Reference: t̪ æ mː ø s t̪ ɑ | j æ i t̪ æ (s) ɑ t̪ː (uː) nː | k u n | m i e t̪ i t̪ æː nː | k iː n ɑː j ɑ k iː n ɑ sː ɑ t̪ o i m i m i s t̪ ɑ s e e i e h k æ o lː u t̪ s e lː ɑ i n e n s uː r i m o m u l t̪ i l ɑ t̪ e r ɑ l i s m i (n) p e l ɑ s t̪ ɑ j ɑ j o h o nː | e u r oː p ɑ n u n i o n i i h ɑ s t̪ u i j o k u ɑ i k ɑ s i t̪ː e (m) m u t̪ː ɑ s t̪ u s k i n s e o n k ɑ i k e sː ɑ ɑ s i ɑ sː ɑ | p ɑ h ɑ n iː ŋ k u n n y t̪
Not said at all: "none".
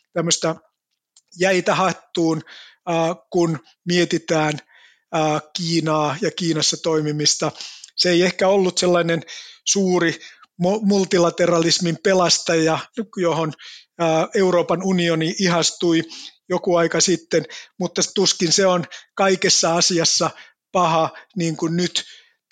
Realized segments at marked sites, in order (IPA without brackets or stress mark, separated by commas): h, uː, m, n